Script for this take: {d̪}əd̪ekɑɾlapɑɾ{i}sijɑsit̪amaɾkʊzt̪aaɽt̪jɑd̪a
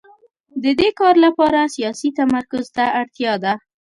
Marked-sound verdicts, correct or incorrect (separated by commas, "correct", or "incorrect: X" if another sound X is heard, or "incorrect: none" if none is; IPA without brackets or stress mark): correct, incorrect: a